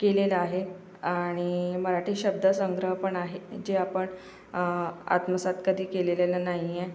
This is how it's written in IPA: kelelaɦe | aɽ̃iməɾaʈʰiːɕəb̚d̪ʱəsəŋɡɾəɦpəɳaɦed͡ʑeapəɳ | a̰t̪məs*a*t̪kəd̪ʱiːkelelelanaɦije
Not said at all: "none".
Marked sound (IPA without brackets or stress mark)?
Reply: a